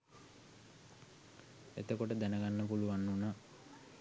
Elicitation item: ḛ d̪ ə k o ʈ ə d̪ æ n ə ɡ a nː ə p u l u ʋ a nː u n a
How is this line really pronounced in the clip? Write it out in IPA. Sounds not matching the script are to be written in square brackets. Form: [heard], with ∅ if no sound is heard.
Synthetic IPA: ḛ [t̪] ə k o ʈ ə d̪ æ n ə ɡ a nː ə p u l u ʋ a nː u n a